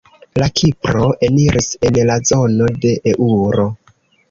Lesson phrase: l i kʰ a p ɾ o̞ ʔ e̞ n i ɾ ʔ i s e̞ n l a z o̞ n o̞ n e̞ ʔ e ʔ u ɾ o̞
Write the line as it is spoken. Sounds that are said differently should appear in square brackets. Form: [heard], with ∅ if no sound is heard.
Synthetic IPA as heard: l [a] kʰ [i] p ɾ o̞ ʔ e̞ n i ɾ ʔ i s e̞ n l a z o̞ n o̞ [d] e̞ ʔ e ʔ u ɾ o̞